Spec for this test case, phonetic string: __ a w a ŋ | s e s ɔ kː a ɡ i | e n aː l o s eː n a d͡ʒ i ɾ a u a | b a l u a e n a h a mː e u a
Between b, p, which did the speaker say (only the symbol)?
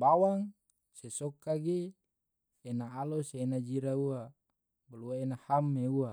b